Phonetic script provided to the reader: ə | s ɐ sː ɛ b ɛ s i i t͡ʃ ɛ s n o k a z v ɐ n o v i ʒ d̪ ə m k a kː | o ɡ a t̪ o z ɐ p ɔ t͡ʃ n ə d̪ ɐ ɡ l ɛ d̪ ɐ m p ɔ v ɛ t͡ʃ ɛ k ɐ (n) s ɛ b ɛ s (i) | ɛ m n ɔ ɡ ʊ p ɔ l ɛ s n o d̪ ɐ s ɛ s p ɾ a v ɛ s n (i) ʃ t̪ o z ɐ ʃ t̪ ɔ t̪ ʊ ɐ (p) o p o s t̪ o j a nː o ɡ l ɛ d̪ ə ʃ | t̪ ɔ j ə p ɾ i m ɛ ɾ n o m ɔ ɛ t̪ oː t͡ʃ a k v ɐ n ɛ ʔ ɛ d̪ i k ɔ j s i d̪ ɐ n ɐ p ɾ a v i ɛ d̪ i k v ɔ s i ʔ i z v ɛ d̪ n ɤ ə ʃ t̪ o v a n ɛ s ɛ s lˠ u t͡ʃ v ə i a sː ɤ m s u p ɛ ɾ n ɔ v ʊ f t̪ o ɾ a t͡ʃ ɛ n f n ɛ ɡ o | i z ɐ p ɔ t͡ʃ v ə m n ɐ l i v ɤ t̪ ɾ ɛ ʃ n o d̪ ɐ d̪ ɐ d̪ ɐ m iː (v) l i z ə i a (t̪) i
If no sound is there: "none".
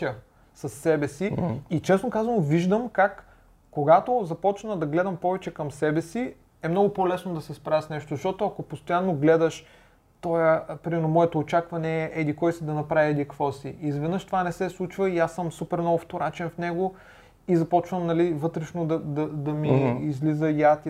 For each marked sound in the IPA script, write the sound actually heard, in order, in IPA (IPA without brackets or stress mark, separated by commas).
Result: m, i, ɛ, k, z, t̪